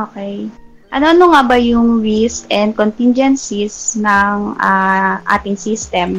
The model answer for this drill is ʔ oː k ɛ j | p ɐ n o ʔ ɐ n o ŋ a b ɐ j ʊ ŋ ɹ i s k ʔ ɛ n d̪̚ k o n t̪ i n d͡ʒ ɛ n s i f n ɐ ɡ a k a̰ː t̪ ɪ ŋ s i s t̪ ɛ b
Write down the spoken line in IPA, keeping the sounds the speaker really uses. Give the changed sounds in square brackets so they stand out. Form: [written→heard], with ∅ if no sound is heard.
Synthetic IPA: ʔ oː k ɛ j | [p→ʔ] ɐ n o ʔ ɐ n o ŋ a b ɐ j ʊ ŋ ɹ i s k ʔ ɛ n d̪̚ k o n t̪ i n d͡ʒ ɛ n s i [f→s] n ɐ [ɡ→ŋ] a [k→ʔ] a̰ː t̪ ɪ ŋ s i s t̪ ɛ [b→m]